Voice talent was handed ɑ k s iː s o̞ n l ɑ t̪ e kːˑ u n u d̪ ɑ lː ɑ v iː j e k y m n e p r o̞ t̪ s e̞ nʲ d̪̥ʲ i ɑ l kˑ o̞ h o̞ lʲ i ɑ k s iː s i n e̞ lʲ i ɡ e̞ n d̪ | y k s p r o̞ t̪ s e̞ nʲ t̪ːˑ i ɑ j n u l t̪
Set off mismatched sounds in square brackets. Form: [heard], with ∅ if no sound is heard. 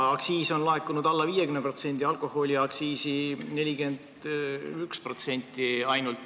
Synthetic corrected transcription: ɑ k s iː s o̞ n l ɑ [∅] e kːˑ u n u d̪ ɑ lː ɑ v iː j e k y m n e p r o̞ t̪ s e̞ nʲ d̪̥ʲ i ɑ l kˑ o̞ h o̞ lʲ i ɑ k s iː s i n e̞ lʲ i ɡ e̞ n d̪ | y k s p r o̞ t̪ s e̞ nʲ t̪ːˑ i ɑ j n u l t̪